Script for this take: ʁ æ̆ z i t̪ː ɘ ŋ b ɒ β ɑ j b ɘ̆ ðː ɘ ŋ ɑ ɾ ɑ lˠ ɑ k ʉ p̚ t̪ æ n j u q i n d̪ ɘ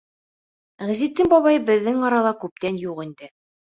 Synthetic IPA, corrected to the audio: ʁ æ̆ z i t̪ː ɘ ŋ b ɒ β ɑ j b ɘ̆ ðː ɘ ŋ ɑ ɾ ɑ lˠ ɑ k ʉ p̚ t̪ æ n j u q i n d̪ ɘ